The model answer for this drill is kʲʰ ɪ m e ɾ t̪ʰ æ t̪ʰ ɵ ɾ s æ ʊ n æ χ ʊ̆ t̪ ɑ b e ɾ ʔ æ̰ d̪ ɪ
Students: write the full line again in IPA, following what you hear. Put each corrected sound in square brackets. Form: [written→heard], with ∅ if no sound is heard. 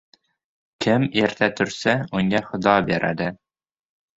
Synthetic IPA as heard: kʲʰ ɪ m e ɾ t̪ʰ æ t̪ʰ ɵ ɾ s æ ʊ [n→ŋ] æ χ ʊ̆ [t̪→d̪] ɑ b e ɾ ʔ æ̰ d̪ ɪ